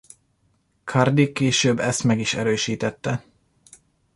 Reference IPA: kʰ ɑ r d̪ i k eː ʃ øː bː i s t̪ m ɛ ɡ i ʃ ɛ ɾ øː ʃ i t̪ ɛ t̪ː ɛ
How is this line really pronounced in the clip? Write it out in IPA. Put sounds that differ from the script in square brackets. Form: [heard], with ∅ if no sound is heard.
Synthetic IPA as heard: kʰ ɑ r d̪ i k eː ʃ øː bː [ɛ] s t̪ m ɛ ɡ i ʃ ɛ ɾ øː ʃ [iː] t̪ ɛ t̪ː ɛ

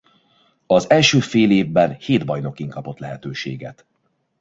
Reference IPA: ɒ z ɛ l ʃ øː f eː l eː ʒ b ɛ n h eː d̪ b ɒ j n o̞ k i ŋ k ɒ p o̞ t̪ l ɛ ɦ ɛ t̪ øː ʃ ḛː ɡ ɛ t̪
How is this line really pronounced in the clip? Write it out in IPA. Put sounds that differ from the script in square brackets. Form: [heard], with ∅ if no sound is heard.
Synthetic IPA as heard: ɒ z ɛ l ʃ øː f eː l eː [v] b ɛ n h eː d̪ b ɒ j n o̞ k i ŋ k ɒ p o̞ t̪ l ɛ ɦ ɛ t̪ øː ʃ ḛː ɡ ɛ t̪

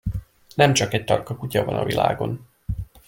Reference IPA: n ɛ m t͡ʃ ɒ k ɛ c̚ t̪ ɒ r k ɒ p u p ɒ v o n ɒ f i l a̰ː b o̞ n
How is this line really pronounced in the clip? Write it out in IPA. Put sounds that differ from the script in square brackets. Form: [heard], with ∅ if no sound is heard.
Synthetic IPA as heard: n ɛ m t͡ʃ ɒ k ɛ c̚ t̪ ɒ r k ɒ [k] u [c] ɒ v [ɒ] n ɒ [v] i l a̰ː [ɡ] o̞ n

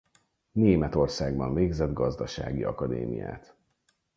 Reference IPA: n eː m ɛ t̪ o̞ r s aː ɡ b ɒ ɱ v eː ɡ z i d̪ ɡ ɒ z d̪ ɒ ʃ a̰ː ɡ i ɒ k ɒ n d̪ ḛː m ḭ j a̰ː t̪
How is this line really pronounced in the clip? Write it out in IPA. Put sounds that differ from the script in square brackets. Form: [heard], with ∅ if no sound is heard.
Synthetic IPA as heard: n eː m ɛ t̪ o̞ r s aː ɡ b ɒ ɱ v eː ɡ z [ɛ] d̪ ɡ ɒ z d̪ ɒ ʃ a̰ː ɡ i ɒ k ɒ [∅] d̪ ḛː m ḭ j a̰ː t̪

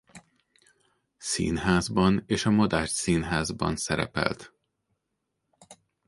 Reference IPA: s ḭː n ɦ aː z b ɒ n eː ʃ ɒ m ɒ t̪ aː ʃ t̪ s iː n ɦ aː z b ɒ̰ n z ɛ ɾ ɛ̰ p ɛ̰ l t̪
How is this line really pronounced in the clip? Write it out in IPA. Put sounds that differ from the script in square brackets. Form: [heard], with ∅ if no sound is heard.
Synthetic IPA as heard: s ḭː n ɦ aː z b ɒ n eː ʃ ɒ m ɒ [d̪] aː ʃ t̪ s iː n ɦ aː z b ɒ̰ n [s] ɛ ɾ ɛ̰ p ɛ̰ l t̪

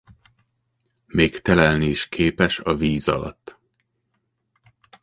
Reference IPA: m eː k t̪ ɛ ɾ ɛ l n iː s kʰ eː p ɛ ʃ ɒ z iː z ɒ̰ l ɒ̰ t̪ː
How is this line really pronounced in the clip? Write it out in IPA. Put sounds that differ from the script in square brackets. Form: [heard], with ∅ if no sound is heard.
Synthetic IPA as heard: m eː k t̪ ɛ [l] ɛ l n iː [ʃ] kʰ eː p ɛ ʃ ɒ [v] iː z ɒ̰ l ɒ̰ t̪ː

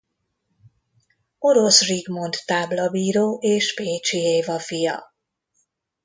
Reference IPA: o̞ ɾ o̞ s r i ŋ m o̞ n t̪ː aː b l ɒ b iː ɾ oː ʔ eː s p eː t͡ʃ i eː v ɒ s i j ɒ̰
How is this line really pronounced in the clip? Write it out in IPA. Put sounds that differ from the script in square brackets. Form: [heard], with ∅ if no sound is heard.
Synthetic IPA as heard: o̞ ɾ o̞ s r i [ɡ] m o̞ n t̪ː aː b l ɒ b iː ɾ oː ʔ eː [ʃ] p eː t͡ʃ i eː v ɒ [f] i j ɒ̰

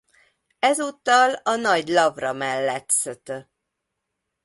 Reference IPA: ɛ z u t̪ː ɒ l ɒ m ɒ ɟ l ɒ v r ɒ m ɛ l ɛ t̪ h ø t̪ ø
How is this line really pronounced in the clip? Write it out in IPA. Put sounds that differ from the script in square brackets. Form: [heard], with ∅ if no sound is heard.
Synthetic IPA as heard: ɛ z u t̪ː ɒ l ɒ [n] ɒ ɟ l ɒ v r ɒ m ɛ [lː] ɛ t̪ [s] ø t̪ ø

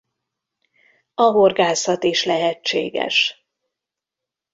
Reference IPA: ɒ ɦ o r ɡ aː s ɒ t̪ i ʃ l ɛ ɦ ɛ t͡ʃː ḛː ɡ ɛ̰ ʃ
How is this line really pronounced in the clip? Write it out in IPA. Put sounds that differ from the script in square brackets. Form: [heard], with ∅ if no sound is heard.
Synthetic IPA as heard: ɒ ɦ o r ɡ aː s ɒ t̪ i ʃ l ɛ ɦ ɛ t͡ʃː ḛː ɡ ɛ̰ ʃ

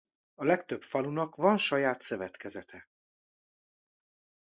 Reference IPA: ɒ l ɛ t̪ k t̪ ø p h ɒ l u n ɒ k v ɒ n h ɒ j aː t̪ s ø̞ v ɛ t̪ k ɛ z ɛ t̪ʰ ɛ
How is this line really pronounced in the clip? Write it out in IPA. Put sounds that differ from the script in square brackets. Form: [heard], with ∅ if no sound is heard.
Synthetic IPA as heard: ɒ l ɛ [∅] k t̪ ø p [f] ɒ l u n ɒ k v ɒ n [ʃ] ɒ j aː t̪ s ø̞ v ɛ t̪ k ɛ z ɛ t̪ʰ ɛ

